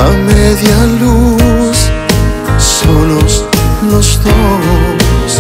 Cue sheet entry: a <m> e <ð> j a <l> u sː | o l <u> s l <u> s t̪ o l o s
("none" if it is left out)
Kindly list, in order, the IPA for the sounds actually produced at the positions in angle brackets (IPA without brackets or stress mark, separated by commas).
m, ð, l, o, o